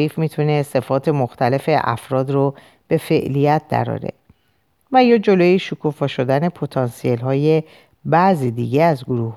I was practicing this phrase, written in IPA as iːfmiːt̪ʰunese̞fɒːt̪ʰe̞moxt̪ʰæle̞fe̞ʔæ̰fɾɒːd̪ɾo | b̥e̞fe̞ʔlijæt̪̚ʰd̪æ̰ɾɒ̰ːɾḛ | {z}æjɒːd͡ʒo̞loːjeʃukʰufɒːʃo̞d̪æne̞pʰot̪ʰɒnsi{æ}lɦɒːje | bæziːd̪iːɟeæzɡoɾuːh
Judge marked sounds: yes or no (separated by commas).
no, no